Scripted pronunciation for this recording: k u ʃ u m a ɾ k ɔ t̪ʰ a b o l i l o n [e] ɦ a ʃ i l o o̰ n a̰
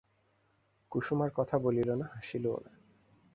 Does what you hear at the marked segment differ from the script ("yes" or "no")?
yes